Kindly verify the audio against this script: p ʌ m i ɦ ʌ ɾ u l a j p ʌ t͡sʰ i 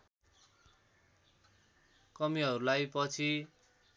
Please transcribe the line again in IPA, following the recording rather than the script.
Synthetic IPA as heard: k ʌ m i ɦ ʌ ɾ u l a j p ʌ t͡sʰ i

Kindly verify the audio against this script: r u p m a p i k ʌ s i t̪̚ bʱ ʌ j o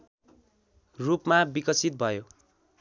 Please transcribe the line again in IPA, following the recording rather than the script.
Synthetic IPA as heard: r u p m a b i k ʌ s i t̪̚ bʱ ʌ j o

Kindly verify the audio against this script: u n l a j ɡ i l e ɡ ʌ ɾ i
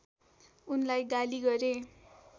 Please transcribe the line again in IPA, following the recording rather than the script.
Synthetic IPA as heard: u n l a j ɡ a l i ɡ ʌ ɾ e

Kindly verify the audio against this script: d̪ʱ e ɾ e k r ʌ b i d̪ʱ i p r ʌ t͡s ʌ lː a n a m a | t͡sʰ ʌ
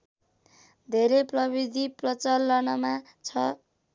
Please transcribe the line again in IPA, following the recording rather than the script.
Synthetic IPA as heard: d̪ʱ e ɾ e p r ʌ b i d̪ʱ i p r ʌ t͡s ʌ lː ʌ n ʌ m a | t͡sʰ ʌ

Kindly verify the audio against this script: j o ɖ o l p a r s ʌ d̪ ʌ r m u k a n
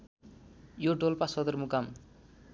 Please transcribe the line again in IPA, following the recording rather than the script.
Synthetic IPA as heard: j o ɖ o l p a s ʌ d̪ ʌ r m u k a m

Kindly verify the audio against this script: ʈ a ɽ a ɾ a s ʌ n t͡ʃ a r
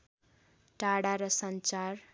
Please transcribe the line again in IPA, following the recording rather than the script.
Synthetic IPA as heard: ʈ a ɽ a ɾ ʌ s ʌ n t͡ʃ a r

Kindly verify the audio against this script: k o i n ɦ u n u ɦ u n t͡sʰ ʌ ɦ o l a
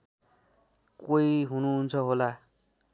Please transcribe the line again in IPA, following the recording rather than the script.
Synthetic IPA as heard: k o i ɦ u n u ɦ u n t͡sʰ ʌ ɦ o l a

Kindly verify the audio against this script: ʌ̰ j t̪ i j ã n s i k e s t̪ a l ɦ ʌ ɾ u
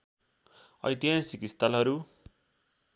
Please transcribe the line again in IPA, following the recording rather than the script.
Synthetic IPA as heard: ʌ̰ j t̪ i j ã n s i k i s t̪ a l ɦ ʌ ɾ u

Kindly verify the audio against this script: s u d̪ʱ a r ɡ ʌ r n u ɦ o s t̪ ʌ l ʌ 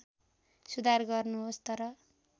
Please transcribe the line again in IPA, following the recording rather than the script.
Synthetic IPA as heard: s u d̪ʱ a r ɡ ʌ r n u ɦ o s t̪ ʌ ɾ ʌ

